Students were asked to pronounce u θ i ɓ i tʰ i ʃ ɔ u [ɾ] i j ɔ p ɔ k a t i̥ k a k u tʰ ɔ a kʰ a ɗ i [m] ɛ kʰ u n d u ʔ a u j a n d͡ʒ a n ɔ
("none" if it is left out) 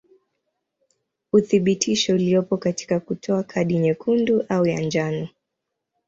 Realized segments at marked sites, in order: l, ɲ

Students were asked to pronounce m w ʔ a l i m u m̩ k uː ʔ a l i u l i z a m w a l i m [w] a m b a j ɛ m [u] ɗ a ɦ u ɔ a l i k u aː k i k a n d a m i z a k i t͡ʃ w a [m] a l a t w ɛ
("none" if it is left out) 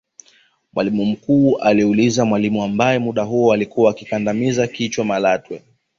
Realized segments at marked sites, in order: u, u, m

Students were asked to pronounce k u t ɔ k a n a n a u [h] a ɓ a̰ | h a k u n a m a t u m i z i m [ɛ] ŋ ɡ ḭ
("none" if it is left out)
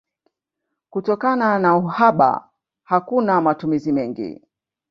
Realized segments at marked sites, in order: h, ɛ

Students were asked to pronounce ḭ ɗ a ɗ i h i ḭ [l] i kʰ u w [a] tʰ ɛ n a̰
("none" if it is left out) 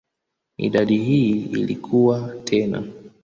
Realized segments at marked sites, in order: l, a

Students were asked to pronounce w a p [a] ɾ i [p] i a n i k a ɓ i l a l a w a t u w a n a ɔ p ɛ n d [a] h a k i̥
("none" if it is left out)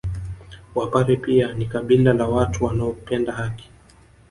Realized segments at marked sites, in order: a, p, a

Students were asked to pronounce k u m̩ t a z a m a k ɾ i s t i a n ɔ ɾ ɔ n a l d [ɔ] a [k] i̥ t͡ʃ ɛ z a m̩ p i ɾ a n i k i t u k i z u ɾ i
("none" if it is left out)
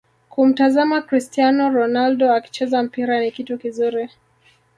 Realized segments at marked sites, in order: ɔ, k

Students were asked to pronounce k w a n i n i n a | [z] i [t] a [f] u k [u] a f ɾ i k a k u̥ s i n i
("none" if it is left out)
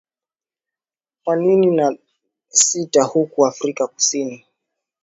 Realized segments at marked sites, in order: s, t, h, u

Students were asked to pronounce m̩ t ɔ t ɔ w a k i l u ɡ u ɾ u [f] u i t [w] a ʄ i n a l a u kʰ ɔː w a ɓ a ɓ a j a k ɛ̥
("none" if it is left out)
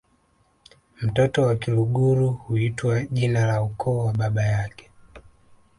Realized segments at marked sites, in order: h, w

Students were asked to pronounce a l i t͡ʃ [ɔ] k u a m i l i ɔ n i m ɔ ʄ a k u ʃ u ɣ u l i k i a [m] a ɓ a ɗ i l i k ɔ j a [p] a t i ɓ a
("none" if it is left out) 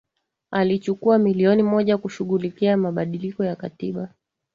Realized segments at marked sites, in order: u, m, k

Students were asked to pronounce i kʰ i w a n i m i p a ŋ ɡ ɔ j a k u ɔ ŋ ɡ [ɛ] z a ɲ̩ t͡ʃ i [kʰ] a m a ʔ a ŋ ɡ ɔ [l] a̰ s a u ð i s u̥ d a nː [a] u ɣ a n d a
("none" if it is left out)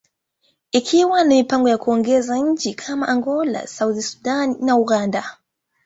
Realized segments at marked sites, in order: ɛ, kʰ, l, a

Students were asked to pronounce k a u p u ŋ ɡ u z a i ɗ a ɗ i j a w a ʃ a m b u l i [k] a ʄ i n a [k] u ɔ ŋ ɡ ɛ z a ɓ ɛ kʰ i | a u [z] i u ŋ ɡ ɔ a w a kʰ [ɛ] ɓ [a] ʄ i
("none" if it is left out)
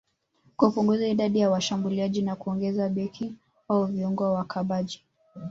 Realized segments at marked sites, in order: none, k, v, a, a

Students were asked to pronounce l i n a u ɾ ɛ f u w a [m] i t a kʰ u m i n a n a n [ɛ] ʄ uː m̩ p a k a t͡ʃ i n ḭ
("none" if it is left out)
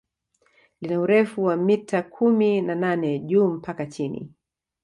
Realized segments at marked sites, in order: m, ɛ

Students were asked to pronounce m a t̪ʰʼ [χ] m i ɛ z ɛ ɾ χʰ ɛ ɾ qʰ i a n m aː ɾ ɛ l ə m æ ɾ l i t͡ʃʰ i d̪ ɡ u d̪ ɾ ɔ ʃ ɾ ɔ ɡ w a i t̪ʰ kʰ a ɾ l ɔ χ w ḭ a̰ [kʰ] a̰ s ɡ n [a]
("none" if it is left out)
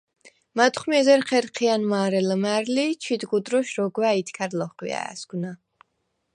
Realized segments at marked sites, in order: χ, none, a

